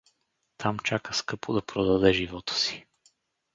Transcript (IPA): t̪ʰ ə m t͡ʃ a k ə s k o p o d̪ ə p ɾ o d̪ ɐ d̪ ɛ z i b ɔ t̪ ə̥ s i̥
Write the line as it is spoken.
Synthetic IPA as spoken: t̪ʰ a m t͡ʃ a k ə s k ɤ p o d̪ ɐ p ɾ o d̪ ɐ d̪ ɛ ʒ i v ɔ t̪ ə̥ s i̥